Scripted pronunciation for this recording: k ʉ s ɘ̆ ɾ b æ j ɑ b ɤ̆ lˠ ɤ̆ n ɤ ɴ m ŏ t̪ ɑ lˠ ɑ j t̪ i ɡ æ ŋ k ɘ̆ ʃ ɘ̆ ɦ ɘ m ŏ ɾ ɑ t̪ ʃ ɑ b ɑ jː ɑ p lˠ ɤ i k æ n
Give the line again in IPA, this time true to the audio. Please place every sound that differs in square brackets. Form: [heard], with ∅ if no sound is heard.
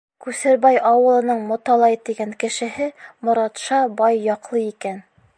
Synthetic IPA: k ʉ s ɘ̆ ɾ b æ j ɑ [w] ɤ̆ lˠ ɤ̆ n ɤ ɴ m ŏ t̪ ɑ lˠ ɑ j t̪ i ɡ æ ŋ k ɘ̆ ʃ ɘ̆ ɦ ɘ m ŏ ɾ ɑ t̪ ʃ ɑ b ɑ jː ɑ [q] lˠ ɤ i k æ n